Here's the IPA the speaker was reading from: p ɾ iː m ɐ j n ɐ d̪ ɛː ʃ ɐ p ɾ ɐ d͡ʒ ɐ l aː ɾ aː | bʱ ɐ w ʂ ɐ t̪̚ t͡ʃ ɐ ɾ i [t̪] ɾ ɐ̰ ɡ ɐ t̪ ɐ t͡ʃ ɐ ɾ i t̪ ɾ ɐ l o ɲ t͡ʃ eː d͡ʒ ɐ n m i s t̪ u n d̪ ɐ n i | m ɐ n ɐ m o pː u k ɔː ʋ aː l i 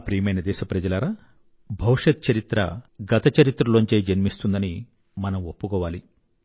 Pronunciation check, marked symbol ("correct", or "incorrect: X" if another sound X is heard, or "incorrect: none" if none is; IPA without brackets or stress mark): correct